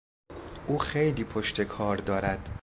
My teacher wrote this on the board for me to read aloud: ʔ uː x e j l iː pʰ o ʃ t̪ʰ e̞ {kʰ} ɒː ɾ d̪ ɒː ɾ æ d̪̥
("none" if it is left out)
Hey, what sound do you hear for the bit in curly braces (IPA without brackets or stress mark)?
kʰ